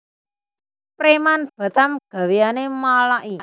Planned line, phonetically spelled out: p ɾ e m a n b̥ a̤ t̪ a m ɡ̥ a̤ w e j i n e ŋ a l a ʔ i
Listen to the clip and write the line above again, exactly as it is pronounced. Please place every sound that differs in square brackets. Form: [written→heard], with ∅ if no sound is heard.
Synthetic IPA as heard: p ɾ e m a n b̥ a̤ t̪ a m ɡ̥ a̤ w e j [i→a] n e [ŋ→m] a l a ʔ i